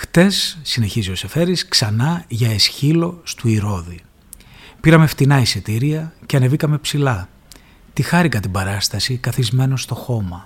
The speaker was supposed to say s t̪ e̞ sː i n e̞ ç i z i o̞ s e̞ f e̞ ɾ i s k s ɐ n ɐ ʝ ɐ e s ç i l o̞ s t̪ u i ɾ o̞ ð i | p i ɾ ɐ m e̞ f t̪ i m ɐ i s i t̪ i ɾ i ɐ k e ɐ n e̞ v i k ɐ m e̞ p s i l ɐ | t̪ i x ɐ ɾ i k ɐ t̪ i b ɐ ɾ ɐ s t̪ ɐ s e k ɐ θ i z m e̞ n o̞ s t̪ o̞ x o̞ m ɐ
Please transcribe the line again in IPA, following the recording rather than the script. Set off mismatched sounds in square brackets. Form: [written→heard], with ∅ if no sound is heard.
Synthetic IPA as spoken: [s→x] t̪ e̞ sː i n e̞ ç i z i o̞ s e̞ f e̞ ɾ i s k s ɐ n ɐ ʝ ɐ e s ç i l o̞ s t̪ u i ɾ o̞ ð i | p i ɾ ɐ m e̞ f t̪ i [m→n] ɐ i s i t̪ i ɾ i ɐ [k→c] e ɐ n e̞ v i k ɐ m e̞ p s i l ɐ | t̪ i x ɐ ɾ i k ɐ t̪ i b ɐ ɾ ɐ s t̪ ɐ s [e→i] k ɐ θ i z m e̞ n o̞ s t̪ o̞ x o̞ m ɐ